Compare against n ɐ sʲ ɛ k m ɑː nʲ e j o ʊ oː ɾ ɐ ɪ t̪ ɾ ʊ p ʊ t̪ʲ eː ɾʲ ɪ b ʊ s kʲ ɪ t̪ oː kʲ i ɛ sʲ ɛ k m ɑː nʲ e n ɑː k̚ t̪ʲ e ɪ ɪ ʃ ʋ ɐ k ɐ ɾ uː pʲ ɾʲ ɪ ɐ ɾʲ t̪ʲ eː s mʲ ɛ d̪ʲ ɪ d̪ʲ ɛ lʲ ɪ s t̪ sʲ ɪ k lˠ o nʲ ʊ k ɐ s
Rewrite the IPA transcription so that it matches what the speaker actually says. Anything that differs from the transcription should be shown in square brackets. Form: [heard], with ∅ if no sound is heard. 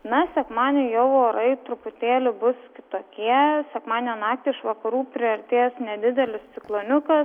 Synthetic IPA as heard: n ɐ sʲ ɛ k m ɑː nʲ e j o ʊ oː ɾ ɐ ɪ t̪ ɾ ʊ p ʊ t̪ʲ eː [lʲ] ɪ b ʊ s kʲ ɪ t̪ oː kʲ i ɛ sʲ ɛ k m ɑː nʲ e n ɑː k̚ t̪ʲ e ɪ ɪ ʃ ʋ ɐ k ɐ ɾ uː pʲ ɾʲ ɪ ɐ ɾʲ t̪ʲ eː s [nʲ] ɛ d̪ʲ ɪ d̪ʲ ɛ lʲ ɪ s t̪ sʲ ɪ k lˠ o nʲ ʊ k ɐ s